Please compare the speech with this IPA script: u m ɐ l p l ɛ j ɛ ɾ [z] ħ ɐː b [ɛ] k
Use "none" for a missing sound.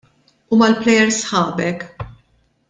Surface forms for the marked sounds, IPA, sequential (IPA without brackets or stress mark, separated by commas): s, ɛ